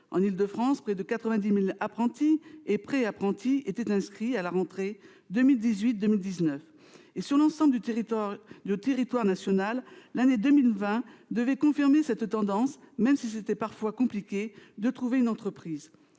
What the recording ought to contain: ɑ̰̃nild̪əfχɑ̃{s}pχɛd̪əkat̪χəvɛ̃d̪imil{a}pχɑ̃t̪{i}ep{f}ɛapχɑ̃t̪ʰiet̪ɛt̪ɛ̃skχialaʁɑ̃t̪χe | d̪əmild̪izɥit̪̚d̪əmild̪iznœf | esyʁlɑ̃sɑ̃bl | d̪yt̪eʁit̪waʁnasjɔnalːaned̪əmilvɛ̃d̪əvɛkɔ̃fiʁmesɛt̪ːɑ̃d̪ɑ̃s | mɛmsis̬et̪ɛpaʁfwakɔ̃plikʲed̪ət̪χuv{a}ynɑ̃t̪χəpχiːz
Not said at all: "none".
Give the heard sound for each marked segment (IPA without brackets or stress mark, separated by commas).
s, a, i, χ, e